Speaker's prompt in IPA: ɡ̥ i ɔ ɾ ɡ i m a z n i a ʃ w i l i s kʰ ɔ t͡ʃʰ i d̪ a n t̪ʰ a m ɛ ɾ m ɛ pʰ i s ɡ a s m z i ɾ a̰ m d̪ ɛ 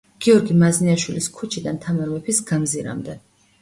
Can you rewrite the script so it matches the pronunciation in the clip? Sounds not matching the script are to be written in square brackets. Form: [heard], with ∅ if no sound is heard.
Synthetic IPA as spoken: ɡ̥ i ɔ ɾ ɡ i m a z n i a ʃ w i l i s kʰ [u] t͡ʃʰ i d̪ a n t̪ʰ a m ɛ ɾ m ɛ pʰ i s ɡ a [∅] m z i ɾ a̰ m d̪ ɛ